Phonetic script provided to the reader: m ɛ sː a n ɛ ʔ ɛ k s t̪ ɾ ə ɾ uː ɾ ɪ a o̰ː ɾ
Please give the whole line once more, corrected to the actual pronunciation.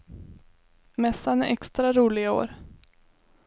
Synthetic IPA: m ɛ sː a n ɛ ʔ ɛ k s t̪ ɾ a ɾ uː l ɪ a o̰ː ɾ